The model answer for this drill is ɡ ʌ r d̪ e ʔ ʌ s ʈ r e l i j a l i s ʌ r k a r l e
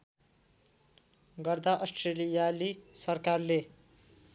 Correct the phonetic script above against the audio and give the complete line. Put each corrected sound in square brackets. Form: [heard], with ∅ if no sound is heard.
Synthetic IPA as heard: ɡ ʌ r d̪ [a] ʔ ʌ s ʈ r e l i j a l i s ʌ r k a r l e